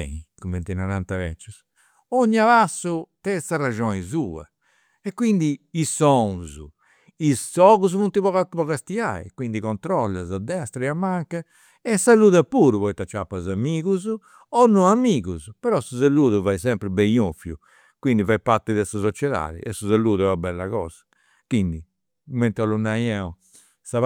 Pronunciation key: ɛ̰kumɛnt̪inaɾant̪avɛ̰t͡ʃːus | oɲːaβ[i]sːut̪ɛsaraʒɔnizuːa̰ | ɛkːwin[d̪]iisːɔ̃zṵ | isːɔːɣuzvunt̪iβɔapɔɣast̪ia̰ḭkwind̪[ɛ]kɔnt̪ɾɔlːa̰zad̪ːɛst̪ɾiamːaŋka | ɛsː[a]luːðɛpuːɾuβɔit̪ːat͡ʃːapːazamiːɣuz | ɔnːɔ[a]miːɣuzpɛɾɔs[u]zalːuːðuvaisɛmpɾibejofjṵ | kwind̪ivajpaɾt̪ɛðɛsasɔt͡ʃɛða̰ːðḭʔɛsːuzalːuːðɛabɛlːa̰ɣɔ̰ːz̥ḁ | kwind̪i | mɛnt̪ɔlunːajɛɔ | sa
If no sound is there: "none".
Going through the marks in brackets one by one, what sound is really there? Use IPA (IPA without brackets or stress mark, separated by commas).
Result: a, d̪, i, a, a, u